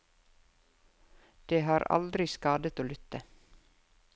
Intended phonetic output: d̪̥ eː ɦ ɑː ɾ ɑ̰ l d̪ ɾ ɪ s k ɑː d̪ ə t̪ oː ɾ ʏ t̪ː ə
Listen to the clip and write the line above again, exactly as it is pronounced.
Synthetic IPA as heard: d̪̥ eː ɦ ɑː ɾ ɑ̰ l d̪ ɾ ɪ s k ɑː d̪ ə t̪ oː l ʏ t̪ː ə